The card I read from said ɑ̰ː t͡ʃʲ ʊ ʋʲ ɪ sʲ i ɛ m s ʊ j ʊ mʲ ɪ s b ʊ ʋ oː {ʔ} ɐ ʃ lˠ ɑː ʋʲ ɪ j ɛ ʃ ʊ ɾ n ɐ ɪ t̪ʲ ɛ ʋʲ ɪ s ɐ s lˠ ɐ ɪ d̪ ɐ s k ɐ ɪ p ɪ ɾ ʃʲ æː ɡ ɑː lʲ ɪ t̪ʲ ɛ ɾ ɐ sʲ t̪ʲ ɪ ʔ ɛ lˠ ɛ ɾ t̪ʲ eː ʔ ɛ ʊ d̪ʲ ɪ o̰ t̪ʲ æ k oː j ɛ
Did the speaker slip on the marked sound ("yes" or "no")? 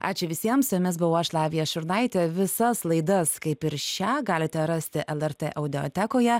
yes